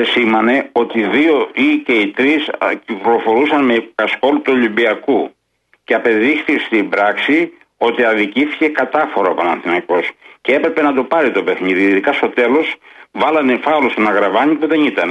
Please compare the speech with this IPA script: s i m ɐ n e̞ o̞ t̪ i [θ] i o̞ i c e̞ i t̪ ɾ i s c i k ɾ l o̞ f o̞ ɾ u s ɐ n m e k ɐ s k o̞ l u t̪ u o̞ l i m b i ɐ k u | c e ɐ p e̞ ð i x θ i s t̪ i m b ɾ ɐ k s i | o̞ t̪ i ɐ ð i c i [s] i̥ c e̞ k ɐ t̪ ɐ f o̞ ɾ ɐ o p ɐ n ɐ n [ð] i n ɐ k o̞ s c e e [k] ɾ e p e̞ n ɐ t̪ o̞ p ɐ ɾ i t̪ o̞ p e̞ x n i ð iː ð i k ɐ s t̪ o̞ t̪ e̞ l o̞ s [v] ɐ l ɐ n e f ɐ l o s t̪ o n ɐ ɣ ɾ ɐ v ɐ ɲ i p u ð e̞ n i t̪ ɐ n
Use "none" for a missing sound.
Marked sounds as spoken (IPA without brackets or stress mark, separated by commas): ð, θ, θ, p, v